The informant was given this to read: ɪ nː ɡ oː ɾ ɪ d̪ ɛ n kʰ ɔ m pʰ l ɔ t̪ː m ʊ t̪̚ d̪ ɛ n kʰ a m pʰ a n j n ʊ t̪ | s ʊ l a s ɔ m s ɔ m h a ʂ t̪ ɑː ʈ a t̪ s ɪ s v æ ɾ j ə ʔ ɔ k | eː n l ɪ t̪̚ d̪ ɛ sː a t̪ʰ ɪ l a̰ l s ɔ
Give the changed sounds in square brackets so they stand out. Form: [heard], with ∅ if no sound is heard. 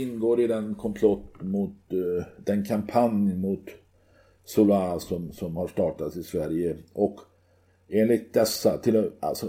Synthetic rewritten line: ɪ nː ɡ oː ɾ ɪ d̪ ɛ n kʰ ɔ m pʰ l ɔ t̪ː m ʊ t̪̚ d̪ ɛ n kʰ a m pʰ a n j [m] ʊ t̪ | s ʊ l a s ɔ m s ɔ m h a ʂ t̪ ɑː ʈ a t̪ s ɪ s v æ ɾ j ə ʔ ɔ k | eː n l ɪ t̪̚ d̪ ɛ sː a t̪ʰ ɪ l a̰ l s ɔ